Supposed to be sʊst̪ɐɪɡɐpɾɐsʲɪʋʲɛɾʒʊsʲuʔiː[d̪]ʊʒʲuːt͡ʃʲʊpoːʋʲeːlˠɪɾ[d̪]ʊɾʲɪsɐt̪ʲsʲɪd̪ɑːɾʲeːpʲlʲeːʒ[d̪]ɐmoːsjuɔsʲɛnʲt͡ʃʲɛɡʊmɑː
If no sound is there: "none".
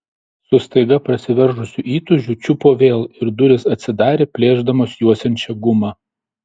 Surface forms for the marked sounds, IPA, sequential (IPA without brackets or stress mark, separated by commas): t̪, d̪, d̪